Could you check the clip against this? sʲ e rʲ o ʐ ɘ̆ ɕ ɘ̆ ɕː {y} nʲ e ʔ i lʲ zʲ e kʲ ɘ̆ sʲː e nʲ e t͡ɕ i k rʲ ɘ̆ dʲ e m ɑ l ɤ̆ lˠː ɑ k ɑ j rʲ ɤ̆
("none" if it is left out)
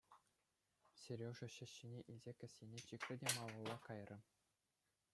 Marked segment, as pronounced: i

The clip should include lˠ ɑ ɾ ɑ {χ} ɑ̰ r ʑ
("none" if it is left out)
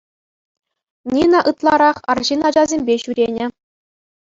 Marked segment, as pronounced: χ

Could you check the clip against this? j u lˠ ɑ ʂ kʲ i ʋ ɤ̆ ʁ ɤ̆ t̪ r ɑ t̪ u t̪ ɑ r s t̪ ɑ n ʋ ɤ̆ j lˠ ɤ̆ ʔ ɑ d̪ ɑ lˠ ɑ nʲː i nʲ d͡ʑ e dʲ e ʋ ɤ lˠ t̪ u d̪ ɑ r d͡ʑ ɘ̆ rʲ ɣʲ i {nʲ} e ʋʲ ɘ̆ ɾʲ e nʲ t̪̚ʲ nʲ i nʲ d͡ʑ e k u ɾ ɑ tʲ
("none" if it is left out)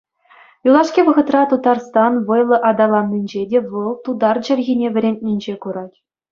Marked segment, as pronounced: nʲ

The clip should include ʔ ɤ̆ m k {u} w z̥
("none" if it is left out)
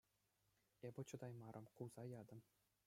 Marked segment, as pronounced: u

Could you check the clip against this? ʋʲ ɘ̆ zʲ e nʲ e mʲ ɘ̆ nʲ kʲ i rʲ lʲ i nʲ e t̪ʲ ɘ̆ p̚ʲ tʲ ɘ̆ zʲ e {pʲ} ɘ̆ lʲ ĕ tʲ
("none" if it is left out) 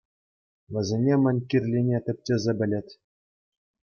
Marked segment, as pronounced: bʲ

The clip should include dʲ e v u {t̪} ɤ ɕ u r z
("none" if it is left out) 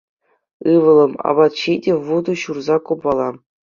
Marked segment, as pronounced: d̪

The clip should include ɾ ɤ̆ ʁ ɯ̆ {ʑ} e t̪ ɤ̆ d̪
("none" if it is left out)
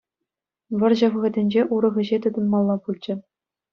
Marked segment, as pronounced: ʑ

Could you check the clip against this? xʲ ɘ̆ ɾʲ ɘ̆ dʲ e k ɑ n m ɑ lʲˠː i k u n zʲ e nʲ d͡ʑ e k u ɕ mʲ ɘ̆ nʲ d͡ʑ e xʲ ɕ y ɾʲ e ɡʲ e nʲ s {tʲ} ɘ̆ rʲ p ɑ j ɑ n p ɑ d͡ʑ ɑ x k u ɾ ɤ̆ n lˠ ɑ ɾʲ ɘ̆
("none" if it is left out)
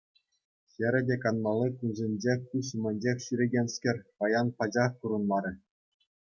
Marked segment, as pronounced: kʲ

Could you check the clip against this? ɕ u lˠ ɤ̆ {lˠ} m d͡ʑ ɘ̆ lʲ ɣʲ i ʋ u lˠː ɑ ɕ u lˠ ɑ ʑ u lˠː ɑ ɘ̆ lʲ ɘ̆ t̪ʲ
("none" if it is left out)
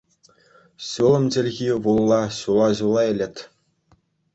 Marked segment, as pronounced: none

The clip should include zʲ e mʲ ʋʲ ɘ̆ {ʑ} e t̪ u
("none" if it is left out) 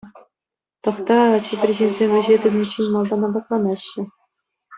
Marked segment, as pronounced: ʑ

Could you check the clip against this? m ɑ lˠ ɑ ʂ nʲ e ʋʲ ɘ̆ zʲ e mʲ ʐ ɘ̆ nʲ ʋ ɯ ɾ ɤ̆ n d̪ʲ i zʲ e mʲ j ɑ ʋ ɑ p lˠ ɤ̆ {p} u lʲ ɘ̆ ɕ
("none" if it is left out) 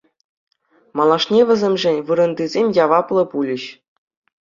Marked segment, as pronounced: p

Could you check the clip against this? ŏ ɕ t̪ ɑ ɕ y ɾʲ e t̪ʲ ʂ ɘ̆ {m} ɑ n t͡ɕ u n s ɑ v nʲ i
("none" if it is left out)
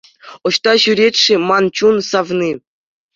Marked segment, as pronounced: m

